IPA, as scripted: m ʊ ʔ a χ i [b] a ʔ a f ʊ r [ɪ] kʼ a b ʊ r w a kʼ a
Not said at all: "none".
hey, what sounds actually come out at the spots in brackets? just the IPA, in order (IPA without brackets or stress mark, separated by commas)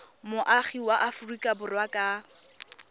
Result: w, i